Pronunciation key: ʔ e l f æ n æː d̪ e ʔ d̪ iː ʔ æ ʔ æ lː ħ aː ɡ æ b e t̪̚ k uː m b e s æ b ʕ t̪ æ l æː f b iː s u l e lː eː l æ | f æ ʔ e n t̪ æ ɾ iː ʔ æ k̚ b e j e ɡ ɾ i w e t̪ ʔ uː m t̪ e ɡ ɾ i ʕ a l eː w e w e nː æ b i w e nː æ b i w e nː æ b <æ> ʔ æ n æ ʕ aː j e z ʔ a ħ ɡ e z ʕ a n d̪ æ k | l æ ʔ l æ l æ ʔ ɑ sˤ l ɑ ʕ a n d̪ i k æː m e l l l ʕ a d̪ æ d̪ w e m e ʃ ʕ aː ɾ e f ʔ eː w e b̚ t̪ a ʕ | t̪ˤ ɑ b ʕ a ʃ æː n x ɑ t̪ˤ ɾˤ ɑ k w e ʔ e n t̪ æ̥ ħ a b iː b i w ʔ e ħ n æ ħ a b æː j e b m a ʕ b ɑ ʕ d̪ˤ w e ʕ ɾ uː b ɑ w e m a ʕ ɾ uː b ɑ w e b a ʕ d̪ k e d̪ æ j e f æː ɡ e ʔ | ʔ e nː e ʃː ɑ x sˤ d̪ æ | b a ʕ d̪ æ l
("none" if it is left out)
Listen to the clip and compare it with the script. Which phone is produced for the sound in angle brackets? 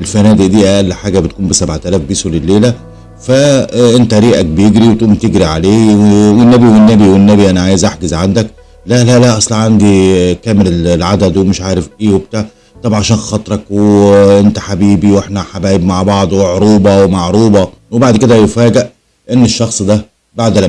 i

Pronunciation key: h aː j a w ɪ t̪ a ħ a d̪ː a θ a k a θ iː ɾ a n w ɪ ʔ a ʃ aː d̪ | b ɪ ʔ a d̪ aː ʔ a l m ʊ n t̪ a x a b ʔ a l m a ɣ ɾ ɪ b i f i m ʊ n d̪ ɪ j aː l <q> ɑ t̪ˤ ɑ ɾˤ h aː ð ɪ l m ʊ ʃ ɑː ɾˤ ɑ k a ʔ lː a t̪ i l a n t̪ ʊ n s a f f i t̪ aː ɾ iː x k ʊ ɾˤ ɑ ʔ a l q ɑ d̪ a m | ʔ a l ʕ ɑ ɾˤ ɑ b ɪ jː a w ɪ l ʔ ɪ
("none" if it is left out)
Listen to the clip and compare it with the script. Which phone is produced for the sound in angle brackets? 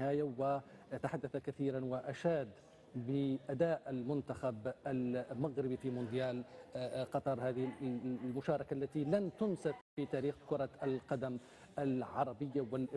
q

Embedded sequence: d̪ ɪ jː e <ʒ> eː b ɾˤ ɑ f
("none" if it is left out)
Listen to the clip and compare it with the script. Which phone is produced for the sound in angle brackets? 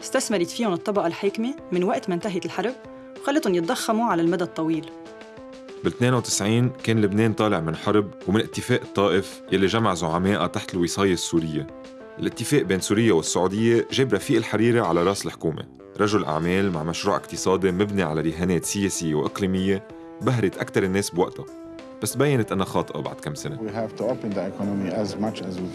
ʒ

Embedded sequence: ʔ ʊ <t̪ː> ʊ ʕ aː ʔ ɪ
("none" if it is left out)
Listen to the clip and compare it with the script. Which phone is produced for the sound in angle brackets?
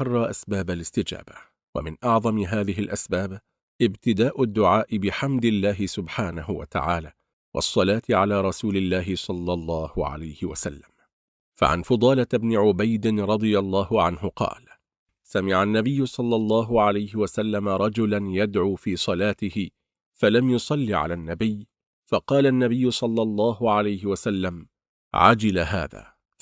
d̪ː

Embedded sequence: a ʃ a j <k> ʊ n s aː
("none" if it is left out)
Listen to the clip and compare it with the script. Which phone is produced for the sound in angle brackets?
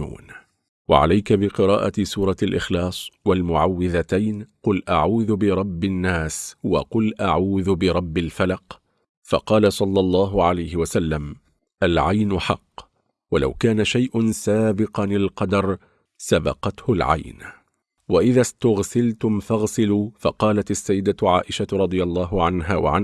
ʔ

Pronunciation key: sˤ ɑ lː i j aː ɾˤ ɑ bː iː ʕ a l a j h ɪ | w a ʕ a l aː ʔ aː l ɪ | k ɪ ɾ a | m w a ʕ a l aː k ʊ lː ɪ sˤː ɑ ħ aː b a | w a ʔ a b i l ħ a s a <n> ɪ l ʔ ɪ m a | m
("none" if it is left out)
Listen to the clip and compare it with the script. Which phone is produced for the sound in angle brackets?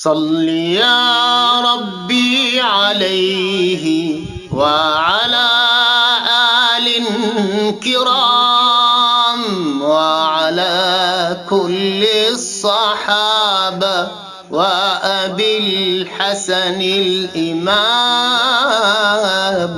n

